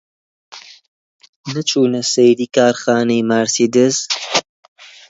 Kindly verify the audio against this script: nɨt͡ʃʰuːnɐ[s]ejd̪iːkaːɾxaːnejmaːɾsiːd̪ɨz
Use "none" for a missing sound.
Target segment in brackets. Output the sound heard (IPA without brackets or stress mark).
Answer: s